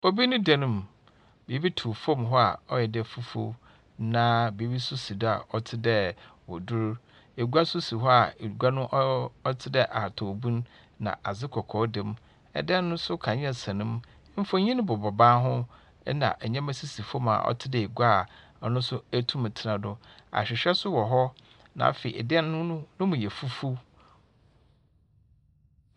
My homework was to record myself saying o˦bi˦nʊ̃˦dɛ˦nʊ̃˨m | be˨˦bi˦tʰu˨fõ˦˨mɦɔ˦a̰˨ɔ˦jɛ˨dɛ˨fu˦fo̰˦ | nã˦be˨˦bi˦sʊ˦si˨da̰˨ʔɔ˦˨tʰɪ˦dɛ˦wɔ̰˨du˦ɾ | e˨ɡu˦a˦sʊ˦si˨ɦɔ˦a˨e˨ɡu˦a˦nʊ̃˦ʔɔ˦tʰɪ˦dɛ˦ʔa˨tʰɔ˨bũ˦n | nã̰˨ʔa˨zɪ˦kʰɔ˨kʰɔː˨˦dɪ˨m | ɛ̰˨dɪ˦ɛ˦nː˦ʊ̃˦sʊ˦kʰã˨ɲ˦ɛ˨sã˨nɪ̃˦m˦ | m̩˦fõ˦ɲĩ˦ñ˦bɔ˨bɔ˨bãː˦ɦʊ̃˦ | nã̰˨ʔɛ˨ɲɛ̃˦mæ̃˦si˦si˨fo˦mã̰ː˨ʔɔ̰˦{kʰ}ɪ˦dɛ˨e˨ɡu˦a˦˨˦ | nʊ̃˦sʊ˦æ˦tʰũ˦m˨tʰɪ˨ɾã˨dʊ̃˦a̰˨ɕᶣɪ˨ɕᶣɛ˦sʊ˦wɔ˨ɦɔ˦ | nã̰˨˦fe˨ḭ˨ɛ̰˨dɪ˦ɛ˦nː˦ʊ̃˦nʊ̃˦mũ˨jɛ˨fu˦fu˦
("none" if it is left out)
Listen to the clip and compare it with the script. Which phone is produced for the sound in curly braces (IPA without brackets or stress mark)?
tʰ